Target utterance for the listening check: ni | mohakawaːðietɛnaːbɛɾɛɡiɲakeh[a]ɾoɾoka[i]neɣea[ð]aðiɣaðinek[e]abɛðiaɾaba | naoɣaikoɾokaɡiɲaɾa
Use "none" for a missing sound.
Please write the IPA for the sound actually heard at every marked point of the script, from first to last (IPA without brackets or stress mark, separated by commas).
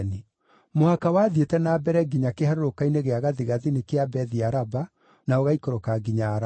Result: a, i, ɣ, e